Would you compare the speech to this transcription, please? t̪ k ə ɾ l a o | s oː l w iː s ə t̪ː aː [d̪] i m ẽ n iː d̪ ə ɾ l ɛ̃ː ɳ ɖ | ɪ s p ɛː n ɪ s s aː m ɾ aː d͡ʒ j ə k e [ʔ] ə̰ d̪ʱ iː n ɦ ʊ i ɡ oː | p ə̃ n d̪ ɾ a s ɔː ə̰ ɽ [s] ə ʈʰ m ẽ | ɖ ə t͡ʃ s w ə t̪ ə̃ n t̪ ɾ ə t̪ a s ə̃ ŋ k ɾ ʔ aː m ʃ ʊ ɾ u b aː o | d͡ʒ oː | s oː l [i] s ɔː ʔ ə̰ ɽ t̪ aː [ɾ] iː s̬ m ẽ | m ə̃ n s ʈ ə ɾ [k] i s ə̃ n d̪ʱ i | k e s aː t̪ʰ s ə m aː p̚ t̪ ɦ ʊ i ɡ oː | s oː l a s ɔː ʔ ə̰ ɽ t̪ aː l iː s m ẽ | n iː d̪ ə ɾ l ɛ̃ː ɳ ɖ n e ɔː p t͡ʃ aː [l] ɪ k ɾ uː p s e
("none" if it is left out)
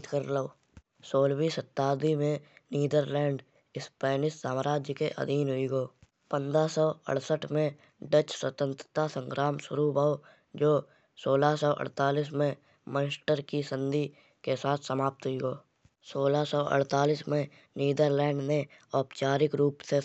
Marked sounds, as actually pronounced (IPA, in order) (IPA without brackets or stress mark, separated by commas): d̪, ʔ, s, a, l, k, ɾ